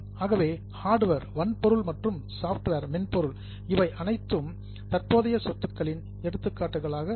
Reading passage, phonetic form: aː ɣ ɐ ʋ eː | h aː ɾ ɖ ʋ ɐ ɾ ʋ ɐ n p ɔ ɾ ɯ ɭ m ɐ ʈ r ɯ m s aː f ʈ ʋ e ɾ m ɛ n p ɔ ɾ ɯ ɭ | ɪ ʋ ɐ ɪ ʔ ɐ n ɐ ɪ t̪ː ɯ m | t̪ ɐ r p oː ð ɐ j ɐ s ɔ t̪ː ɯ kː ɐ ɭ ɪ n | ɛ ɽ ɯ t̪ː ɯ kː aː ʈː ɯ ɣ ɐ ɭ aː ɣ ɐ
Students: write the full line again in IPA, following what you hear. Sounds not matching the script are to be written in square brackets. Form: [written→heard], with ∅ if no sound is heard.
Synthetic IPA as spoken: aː ɣ ɐ ʋ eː | h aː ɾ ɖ ʋ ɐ ɾ ʋ ɐ n p ɔ ɾ ɯ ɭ m ɐ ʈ r ɯ m s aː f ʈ ʋ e ɾ m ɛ n p ɔ ɾ ɯ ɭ | ɪ ʋ ɐ ɪ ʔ ɐ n ɐ ɪ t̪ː ɯ m | t̪ ɐ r p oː ð ɐ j ɐ s ɔ t̪ː ɯ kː ɐ ɭ ɪ n | ɛ ɽ ɯ t̪ː ɯ kː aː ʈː ɯ ɣ ɐ ɭ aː ɣ ɐ